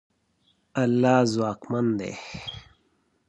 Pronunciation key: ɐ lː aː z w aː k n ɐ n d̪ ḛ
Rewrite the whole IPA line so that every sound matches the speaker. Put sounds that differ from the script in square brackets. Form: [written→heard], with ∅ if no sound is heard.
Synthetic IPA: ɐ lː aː z w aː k [n→m] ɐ n d̪ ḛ